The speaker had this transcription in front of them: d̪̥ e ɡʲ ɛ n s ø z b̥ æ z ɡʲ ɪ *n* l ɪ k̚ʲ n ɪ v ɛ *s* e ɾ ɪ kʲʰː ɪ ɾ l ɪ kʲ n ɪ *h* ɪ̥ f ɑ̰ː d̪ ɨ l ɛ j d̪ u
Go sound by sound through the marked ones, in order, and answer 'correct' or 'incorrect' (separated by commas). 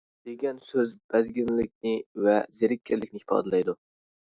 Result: correct, incorrect, correct